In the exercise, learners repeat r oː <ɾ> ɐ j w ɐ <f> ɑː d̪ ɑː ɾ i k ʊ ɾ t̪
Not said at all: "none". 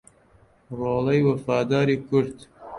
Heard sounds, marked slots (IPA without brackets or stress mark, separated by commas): l, f